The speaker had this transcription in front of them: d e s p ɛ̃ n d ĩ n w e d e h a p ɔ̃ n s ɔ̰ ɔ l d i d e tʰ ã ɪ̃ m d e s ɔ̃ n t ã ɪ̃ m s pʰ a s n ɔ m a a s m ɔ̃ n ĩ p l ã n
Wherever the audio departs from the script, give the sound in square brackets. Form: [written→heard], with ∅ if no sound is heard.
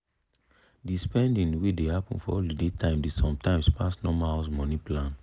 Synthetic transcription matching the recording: d [e→i] s p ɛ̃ n d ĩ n w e d e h a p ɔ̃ n [s→f] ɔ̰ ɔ l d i d e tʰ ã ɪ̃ m d e s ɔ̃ [n→m] t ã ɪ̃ m s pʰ a s n ɔ m a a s m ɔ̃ n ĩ p l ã n